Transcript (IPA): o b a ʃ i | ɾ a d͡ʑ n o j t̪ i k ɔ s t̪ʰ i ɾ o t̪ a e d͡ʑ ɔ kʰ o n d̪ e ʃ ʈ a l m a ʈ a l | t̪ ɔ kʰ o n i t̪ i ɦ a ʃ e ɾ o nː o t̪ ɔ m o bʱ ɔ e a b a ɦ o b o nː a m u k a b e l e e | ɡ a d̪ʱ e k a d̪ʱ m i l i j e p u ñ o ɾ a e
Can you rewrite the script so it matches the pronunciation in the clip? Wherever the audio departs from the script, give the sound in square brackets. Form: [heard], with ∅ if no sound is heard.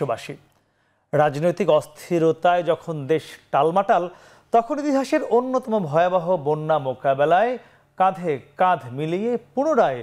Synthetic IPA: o b a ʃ i | ɾ a d͡ʑ n o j t̪ i k ɔ s t̪ʰ i ɾ o t̪ a e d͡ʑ ɔ kʰ o n d̪ e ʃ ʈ a l m a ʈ a l | t̪ ɔ kʰ o n i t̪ i ɦ a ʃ e ɾ o nː o t̪ ɔ m o bʱ ɔ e a b a ɦ o b o nː a m [o] k a b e l [a] e | [k] a d̪ʱ e k a d̪ʱ m i l i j e p u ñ o ɾ a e